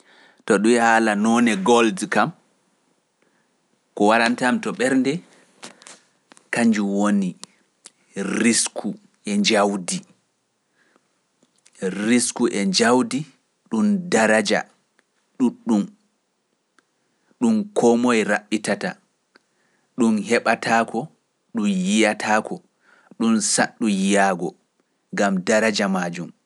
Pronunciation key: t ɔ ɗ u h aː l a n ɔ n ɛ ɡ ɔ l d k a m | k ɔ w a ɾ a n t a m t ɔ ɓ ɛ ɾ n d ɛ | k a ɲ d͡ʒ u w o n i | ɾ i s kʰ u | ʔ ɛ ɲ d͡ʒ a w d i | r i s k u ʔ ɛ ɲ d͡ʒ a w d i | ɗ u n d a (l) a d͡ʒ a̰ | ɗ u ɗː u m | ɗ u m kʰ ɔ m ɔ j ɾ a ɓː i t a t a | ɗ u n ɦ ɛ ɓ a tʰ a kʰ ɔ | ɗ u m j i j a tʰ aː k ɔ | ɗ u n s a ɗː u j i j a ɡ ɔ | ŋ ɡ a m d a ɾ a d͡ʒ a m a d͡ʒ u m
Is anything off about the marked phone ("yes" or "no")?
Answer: yes